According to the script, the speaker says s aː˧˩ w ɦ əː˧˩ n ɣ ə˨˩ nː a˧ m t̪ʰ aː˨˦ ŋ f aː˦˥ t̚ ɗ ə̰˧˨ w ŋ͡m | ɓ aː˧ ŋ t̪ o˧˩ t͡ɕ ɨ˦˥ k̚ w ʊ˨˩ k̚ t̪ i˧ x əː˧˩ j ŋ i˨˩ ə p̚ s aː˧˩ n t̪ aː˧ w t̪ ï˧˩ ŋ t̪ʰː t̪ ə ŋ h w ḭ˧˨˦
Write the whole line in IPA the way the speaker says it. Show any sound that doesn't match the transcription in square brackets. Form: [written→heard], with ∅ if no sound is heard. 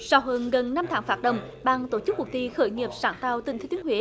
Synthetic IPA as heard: s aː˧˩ w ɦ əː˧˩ n ɣ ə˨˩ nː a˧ m t̪ʰ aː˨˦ ŋ f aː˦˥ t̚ ɗ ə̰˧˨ w ŋ͡m | ɓ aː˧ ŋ t̪ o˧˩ t͡ɕ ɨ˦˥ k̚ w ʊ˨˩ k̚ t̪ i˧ x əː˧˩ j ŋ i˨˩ ə p̚ s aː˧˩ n t̪ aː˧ w t̪ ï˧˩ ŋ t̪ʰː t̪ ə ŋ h w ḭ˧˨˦